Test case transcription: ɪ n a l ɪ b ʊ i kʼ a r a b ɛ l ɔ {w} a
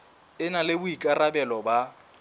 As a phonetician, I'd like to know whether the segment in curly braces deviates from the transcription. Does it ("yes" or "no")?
yes